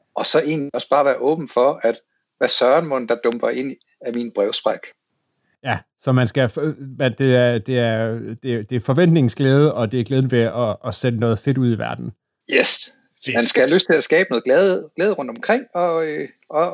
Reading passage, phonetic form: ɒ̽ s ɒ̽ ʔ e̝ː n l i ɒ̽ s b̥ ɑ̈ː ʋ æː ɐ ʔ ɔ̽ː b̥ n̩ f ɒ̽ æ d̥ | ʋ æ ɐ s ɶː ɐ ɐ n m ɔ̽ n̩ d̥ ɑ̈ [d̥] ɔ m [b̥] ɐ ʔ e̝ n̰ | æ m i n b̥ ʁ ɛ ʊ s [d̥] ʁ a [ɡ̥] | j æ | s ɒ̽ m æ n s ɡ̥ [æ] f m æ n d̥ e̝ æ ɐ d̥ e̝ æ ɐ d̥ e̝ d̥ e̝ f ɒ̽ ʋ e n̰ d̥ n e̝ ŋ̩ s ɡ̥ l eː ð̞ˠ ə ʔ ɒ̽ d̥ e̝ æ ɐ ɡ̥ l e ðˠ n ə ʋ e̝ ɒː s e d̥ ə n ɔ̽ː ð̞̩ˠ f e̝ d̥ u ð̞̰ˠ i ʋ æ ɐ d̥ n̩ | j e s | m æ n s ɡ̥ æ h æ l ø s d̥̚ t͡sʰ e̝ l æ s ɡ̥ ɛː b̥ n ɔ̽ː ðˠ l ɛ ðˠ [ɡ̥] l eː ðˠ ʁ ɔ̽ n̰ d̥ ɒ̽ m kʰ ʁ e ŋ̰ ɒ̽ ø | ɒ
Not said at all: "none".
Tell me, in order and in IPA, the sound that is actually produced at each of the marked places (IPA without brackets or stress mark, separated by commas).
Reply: d̥, b̥, b̥, ɡ̥, æ, ɡ̥